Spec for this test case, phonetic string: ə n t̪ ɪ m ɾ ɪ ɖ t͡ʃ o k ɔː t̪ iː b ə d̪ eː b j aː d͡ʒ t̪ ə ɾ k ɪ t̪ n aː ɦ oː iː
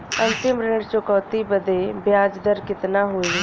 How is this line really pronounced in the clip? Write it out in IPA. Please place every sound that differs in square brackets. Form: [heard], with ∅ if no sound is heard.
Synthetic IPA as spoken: ə n t̪ ɪ m ɾ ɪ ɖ t͡ʃ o k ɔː t̪ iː b ə d̪ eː b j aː d͡ʒ [d̪] ə ɾ k ɪ t̪ n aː ɦ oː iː